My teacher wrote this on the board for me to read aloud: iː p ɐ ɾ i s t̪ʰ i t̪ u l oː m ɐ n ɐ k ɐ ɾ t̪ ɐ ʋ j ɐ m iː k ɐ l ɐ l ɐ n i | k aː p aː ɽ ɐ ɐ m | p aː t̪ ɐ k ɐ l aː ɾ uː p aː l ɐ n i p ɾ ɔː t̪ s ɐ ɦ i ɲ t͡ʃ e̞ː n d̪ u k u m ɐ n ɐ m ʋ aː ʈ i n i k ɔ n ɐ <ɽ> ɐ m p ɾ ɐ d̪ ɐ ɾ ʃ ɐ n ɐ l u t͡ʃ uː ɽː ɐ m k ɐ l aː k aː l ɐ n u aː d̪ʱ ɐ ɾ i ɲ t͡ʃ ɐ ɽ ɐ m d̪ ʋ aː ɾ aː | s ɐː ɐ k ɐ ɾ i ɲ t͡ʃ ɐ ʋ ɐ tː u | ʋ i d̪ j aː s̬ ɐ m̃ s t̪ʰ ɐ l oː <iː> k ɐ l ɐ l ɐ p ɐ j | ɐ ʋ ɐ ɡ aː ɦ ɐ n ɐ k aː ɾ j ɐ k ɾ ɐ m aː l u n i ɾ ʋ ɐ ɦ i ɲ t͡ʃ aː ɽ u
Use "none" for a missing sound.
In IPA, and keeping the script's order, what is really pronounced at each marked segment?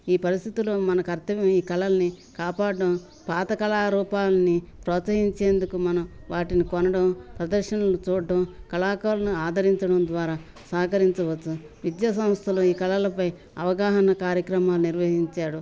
ɽ, iː

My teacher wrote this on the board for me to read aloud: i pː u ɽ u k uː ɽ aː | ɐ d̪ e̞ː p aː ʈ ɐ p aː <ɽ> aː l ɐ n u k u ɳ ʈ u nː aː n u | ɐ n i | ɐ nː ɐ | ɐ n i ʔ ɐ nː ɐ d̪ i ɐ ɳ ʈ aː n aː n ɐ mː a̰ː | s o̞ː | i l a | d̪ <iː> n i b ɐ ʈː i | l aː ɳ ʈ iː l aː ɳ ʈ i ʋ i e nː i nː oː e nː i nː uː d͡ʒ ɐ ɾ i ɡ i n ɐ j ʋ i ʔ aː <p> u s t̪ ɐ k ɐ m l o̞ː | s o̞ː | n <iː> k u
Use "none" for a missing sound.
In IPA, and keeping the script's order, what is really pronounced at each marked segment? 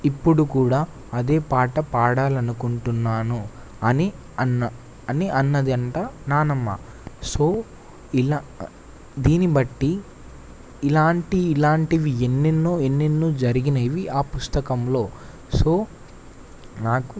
ɽ, iː, p, aː

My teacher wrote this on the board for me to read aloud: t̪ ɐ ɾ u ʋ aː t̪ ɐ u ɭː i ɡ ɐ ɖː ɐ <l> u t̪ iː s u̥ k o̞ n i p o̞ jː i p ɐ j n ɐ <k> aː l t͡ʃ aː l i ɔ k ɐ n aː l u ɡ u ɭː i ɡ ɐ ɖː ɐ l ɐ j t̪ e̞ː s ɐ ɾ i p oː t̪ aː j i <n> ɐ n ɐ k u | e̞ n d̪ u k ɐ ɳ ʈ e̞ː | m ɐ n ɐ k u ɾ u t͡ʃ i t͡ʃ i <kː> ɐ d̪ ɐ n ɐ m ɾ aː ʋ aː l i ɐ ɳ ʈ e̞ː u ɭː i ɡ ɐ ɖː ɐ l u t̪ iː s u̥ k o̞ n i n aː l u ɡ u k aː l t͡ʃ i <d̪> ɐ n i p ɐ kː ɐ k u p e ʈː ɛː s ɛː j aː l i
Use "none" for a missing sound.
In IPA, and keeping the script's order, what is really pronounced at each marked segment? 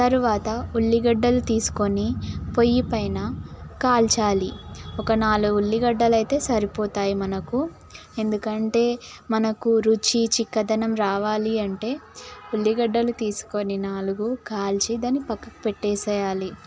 l, k, m, kː, d̪

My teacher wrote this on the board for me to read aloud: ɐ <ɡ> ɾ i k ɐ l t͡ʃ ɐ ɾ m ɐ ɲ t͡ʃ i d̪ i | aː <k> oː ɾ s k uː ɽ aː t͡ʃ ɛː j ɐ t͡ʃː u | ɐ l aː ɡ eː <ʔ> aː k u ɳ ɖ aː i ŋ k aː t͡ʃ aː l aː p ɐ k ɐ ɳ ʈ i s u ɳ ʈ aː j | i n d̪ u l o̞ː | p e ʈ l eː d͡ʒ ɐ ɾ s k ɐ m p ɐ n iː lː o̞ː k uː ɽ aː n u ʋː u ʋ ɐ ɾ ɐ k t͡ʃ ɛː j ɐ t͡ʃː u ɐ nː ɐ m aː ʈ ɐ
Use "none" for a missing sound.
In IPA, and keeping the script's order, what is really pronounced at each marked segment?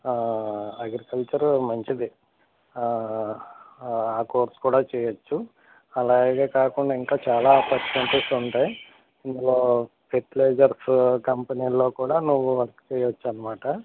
ɡ, k, k

